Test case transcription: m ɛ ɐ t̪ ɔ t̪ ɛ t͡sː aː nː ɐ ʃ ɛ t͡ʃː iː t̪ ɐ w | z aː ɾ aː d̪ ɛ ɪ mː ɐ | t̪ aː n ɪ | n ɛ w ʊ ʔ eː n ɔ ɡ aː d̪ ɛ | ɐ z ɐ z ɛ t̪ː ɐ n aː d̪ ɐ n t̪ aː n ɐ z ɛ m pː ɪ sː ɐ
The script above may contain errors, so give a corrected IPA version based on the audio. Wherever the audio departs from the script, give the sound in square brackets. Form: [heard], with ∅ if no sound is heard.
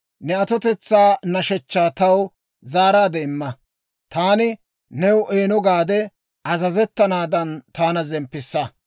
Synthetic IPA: [n] ɛ ɐ t̪ ɔ t̪ ɛ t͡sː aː [n] ɐ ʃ ɛ t͡ʃː [aː] t̪ ɐ w | z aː ɾ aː d̪ ɛ ɪ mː ɐ | t̪ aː n ɪ | n ɛ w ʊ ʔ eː n ɔ ɡ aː d̪ ɛ | ɐ z ɐ z ɛ t̪ː ɐ n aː d̪ ɐ n t̪ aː n ɐ z ɛ m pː ɪ sː ɐ